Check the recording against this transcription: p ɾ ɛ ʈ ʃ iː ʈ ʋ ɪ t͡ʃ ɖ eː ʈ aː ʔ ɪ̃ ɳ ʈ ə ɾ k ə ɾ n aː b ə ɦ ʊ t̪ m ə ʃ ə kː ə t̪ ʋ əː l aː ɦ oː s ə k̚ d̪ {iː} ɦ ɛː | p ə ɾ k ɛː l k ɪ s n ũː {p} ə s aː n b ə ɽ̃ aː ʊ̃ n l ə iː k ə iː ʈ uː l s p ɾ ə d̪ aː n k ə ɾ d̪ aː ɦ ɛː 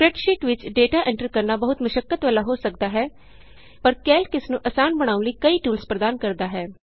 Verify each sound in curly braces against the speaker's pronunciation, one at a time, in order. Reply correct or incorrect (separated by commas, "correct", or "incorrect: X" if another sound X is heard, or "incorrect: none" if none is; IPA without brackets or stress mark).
incorrect: aː, incorrect: ʔ